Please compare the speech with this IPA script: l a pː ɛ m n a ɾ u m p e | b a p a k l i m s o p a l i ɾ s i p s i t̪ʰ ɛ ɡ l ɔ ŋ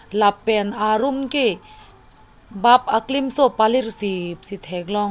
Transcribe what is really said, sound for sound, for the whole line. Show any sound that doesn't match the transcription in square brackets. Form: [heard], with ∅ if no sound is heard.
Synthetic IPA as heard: l a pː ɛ [∅] n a ɾ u m [k] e | b a p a k l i m s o p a l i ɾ s i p s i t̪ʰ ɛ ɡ l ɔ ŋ